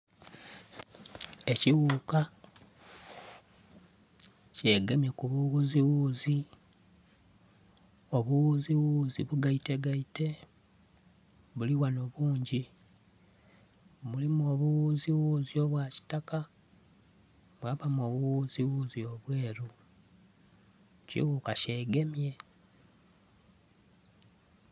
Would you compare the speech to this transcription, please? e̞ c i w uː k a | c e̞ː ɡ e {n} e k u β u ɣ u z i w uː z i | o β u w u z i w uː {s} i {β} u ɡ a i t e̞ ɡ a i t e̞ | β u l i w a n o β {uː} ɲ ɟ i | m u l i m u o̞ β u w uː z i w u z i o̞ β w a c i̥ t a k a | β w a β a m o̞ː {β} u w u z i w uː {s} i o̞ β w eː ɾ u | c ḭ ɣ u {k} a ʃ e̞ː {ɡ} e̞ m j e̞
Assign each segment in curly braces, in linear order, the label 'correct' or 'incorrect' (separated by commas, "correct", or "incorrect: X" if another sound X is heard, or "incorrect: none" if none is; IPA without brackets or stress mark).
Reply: incorrect: m, incorrect: z, correct, correct, correct, incorrect: z, correct, correct